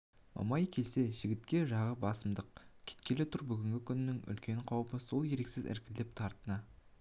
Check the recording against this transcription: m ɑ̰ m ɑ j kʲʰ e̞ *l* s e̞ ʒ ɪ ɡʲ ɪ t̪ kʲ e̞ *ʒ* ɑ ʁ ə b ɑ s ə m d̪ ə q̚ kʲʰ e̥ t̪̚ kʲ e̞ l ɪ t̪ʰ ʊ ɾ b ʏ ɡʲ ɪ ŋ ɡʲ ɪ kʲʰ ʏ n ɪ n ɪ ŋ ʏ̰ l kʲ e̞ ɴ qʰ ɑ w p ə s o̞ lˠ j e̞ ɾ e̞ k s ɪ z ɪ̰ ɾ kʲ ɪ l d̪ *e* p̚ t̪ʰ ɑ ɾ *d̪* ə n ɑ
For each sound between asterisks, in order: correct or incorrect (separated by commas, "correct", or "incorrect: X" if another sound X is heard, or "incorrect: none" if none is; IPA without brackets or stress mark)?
correct, correct, correct, incorrect: t̪